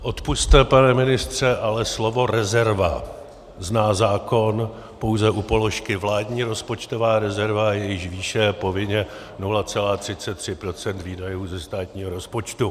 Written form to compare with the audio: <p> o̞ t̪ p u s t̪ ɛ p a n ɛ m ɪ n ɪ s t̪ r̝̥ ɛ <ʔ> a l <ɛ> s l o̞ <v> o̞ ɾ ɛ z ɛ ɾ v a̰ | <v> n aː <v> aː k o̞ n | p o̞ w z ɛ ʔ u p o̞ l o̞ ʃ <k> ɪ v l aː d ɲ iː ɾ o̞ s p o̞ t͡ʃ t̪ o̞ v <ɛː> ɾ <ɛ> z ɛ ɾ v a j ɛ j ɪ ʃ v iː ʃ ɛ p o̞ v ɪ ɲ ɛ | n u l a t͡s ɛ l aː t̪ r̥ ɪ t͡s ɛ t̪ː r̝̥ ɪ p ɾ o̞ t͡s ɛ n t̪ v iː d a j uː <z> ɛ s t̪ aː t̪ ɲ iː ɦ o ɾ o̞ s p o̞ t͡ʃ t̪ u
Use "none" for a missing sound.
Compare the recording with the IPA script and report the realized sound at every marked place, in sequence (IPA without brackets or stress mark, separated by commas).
ʔ, ʔ, ɛ, v, z, z, k, aː, ɛ, z